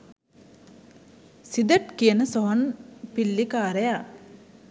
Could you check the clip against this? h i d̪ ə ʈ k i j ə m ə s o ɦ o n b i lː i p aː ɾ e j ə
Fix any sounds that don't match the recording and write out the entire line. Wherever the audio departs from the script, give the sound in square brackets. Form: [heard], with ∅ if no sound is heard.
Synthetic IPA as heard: [s] i d̪ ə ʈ k i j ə [n] ə s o ɦ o n [p] i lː i [k] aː ɾ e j [a]